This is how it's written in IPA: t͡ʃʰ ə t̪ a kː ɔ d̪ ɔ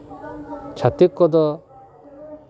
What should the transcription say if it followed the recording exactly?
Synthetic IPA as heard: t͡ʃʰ a t̪ i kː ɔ d̪ ɔ